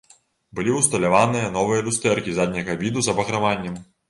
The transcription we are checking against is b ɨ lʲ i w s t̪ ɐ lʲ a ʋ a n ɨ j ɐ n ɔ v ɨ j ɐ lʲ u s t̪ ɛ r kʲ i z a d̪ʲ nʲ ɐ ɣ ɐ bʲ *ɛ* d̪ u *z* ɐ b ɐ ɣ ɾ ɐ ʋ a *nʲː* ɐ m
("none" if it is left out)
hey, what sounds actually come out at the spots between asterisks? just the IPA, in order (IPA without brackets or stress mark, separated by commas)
i, z, nʲː